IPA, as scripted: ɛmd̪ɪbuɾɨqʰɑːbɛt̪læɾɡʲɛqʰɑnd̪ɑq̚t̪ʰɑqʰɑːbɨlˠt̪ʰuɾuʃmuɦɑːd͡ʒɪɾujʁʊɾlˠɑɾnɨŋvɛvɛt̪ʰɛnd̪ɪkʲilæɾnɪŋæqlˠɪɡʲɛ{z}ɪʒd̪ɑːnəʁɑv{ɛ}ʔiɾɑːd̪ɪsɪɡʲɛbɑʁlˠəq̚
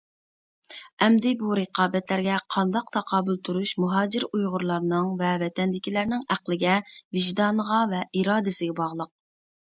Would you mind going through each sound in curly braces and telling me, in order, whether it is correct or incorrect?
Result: incorrect: v, correct

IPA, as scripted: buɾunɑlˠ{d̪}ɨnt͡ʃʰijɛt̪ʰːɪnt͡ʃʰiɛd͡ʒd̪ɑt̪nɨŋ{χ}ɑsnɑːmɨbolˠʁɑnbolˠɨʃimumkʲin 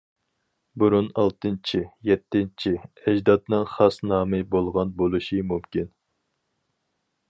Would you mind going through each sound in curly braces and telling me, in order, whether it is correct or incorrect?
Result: incorrect: t̪, correct

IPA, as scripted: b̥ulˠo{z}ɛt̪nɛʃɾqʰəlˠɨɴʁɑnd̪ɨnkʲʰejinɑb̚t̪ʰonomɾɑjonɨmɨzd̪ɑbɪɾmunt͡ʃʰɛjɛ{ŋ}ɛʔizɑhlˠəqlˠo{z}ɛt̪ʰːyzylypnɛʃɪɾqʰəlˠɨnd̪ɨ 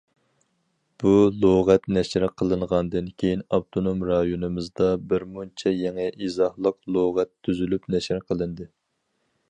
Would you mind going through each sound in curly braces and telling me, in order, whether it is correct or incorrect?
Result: incorrect: ʁ, correct, incorrect: ʁ

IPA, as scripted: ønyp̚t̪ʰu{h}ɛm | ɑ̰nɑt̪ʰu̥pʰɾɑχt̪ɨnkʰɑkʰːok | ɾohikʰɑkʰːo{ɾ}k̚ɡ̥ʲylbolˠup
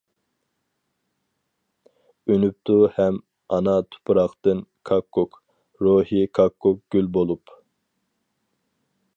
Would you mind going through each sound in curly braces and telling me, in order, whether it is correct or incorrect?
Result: correct, incorrect: none

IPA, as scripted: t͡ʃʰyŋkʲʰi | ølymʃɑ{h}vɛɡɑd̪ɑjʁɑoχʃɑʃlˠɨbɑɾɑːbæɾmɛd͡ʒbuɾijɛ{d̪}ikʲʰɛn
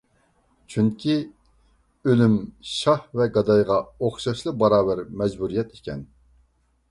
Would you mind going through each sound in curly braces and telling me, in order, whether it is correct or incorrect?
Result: correct, incorrect: t̪

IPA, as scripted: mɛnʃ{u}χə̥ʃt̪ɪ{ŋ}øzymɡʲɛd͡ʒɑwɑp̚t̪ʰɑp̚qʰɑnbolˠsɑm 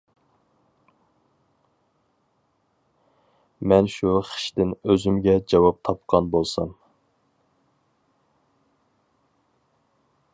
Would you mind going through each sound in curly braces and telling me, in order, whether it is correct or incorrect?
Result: correct, incorrect: n

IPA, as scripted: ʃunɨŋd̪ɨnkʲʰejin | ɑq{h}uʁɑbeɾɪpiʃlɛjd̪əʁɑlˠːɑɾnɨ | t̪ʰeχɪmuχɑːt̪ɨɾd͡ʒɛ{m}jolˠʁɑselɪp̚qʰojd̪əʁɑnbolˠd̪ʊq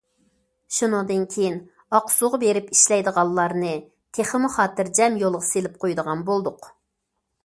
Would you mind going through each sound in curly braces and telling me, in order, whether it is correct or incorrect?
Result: incorrect: s, correct

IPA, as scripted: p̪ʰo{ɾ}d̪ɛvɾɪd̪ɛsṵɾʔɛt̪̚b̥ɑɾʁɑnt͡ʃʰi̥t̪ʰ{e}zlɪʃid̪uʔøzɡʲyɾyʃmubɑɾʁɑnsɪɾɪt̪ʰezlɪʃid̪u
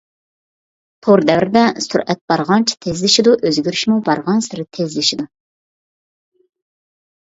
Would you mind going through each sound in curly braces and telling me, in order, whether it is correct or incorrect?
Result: correct, correct

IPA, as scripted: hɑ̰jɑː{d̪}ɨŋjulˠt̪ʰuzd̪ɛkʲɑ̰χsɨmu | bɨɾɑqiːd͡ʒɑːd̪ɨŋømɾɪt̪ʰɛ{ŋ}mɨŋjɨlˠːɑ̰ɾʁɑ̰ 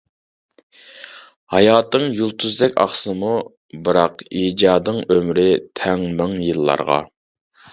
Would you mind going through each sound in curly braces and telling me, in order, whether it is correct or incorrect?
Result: incorrect: t̪, correct

